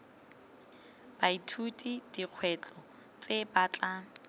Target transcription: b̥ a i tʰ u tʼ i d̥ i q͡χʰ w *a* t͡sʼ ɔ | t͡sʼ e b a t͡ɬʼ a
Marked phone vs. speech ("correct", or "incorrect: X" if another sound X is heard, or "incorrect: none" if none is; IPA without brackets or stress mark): incorrect: ɛ